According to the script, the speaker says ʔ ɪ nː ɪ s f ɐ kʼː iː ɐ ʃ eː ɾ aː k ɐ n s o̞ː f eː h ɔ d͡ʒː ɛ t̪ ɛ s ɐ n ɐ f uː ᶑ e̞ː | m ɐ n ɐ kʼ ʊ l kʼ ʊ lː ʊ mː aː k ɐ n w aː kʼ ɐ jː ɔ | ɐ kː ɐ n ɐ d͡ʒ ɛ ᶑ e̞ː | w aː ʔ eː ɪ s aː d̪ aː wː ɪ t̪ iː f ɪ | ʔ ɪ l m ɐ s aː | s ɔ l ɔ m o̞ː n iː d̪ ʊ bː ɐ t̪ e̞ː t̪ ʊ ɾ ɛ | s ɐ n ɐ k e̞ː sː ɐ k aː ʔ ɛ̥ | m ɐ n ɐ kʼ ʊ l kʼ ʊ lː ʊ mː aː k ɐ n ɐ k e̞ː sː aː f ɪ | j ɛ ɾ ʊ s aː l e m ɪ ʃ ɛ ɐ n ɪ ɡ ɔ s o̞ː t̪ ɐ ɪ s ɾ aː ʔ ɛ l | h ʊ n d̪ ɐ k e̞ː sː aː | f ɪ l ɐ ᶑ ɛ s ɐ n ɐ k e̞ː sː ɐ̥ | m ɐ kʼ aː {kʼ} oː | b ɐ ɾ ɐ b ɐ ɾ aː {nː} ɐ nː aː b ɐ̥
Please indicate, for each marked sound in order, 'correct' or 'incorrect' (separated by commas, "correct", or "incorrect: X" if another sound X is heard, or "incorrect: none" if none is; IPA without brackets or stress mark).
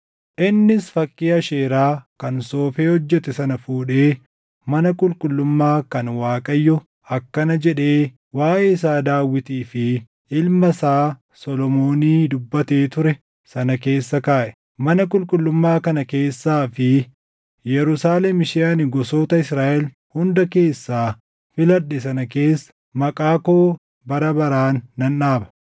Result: incorrect: k, correct